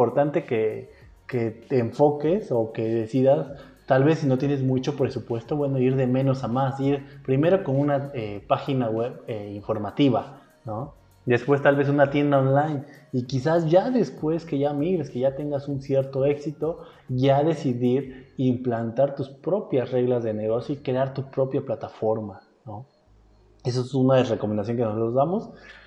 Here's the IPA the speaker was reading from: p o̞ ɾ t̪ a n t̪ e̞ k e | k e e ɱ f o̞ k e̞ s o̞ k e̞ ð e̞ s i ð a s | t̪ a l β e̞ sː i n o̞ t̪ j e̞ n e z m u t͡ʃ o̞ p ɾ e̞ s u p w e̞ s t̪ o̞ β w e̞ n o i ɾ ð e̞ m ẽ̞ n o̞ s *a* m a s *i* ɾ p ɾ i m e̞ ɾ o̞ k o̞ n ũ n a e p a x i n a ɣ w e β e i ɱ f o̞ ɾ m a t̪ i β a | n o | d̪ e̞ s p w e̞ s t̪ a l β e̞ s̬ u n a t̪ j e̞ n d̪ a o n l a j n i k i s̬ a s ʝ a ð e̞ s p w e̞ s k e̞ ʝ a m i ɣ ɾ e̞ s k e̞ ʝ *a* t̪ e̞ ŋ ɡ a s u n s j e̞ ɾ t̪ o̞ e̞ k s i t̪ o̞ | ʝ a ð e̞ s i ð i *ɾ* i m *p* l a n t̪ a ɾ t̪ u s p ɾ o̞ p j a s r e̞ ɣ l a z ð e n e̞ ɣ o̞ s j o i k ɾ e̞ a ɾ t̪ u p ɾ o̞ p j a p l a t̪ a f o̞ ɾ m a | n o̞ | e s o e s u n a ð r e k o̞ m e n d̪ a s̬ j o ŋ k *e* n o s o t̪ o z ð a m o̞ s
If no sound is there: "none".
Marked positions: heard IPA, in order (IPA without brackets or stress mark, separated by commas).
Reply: a, i, a, ɾ, p, e